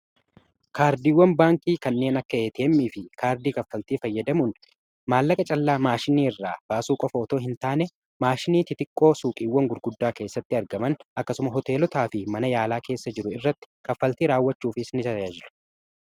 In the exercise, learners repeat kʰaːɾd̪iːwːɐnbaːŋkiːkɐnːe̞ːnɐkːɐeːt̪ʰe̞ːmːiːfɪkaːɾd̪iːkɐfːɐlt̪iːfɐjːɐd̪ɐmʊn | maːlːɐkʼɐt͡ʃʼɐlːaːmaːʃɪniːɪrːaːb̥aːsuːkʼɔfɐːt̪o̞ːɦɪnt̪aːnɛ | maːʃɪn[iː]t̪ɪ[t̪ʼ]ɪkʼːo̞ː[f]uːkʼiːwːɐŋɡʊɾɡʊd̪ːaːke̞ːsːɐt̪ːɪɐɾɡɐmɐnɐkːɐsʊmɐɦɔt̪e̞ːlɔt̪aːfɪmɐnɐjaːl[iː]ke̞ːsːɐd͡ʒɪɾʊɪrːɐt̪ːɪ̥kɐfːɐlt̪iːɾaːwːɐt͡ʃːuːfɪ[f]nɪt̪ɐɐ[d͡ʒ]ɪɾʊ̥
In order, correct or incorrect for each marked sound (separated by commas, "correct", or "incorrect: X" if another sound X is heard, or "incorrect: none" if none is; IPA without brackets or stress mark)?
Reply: correct, incorrect: t̪, incorrect: s, incorrect: aː, incorrect: s, correct